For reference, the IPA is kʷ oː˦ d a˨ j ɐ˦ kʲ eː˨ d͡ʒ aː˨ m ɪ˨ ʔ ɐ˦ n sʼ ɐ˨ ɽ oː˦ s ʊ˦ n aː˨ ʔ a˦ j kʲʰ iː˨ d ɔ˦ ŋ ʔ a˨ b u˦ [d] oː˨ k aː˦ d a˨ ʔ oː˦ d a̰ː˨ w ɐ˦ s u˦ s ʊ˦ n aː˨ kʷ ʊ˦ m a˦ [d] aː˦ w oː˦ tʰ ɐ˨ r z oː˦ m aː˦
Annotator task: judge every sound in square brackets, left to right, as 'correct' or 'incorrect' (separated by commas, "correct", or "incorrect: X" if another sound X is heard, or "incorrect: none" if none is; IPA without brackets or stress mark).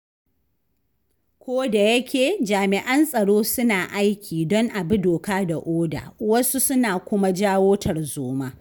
correct, incorrect: d͡ʒ